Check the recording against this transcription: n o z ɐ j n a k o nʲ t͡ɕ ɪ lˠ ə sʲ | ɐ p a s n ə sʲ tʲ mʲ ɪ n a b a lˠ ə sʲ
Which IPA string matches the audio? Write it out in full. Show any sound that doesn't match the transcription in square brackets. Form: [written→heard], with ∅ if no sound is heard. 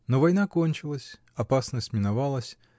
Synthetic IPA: n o [z→v] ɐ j n a k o nʲ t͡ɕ ɪ lˠ ə sʲ | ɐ p a s n ə sʲ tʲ mʲ ɪ n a [b→v] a lˠ ə sʲ